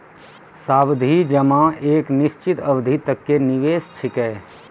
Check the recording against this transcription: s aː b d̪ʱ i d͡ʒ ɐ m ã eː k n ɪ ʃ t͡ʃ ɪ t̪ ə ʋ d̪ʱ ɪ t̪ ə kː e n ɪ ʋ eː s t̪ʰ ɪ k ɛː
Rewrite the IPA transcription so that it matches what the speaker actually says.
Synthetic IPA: s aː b d̪ʱ i d͡ʒ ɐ m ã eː k n ɪ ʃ t͡ʃ ɪ t̪ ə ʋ d̪ʱ i t̪ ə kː e n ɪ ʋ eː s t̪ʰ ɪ k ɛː